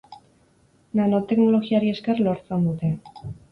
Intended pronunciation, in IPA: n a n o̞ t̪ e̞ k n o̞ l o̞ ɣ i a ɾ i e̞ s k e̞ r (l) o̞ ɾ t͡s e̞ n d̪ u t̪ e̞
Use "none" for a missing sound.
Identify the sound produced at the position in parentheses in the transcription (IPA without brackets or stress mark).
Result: l